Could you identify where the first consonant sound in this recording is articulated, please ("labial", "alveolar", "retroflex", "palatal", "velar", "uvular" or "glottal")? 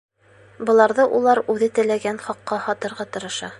labial